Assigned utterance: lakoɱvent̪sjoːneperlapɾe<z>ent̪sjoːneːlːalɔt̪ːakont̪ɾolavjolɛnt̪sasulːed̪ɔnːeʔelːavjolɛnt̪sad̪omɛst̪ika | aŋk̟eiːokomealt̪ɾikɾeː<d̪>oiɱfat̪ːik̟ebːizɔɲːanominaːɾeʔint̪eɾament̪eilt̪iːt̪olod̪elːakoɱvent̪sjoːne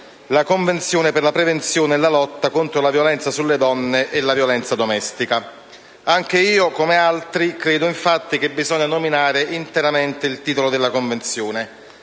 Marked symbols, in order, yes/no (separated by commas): no, yes